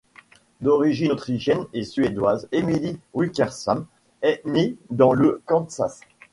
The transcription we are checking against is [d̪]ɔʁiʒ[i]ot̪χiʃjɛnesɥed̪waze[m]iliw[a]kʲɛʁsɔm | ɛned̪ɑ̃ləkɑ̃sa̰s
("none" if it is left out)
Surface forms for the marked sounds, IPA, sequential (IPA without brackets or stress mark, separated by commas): d̪, i, m, i